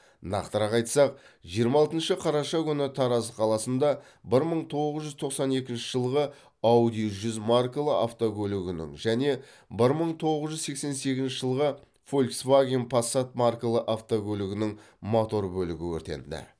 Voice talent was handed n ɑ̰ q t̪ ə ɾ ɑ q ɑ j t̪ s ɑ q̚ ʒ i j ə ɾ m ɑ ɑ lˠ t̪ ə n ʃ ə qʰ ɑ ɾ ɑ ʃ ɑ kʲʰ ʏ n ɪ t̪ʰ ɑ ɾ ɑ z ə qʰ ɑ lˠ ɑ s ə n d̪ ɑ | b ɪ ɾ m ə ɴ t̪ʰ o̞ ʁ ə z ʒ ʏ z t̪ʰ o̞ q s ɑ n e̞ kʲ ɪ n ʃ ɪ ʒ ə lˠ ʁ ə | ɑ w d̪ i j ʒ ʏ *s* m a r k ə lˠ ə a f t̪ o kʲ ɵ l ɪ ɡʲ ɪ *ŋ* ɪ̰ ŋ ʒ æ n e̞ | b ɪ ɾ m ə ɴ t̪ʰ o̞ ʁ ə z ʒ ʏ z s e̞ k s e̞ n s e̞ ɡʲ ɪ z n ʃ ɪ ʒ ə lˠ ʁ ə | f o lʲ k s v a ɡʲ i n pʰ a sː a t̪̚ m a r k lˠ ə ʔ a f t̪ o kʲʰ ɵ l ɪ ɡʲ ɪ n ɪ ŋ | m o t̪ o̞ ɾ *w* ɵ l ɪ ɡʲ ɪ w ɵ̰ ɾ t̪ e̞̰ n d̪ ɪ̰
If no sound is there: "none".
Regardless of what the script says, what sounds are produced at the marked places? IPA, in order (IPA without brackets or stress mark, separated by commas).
z, n, b